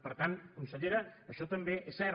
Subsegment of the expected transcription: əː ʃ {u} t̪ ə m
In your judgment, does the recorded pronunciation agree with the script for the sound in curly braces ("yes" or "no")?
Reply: no